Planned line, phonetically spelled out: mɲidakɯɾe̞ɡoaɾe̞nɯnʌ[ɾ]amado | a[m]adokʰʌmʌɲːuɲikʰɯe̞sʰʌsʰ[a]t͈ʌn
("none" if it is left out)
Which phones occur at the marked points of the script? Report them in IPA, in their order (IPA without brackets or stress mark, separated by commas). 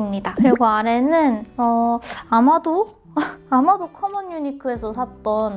none, m, a